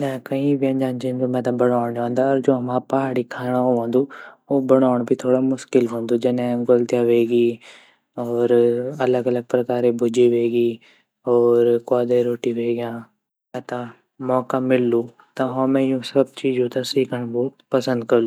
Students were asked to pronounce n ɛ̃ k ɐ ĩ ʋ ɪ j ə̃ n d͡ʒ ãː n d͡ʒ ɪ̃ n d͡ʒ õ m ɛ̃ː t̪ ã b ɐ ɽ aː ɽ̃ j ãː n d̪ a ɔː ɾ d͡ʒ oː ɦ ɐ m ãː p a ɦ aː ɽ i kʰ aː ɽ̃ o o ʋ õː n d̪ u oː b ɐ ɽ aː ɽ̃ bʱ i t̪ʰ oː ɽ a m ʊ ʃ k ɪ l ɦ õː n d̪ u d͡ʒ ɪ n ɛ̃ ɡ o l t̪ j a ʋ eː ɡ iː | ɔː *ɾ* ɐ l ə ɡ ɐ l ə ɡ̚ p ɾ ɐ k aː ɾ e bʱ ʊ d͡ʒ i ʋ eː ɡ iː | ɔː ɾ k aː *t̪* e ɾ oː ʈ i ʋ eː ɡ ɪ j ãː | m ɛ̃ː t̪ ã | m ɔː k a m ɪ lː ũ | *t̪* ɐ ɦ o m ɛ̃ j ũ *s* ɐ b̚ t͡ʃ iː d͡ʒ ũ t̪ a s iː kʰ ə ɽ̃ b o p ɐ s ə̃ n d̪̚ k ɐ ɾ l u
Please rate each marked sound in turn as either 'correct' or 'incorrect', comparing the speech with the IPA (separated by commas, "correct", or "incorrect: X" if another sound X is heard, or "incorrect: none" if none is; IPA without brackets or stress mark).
correct, incorrect: d̪, correct, correct